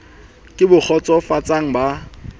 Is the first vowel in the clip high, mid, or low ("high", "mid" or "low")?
high